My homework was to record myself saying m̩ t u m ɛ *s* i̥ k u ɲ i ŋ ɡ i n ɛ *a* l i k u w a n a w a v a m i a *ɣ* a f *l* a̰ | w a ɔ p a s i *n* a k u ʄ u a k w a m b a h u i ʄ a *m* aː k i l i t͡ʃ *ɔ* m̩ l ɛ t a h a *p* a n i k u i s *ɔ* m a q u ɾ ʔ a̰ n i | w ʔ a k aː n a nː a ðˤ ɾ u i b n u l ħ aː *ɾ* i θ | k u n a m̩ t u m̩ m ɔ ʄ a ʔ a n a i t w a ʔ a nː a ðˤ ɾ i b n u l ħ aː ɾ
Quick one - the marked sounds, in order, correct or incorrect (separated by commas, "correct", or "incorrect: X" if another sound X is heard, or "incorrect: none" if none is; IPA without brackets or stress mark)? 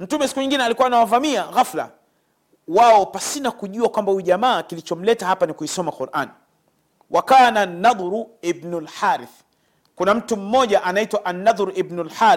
correct, correct, correct, correct, correct, correct, correct, correct, correct, correct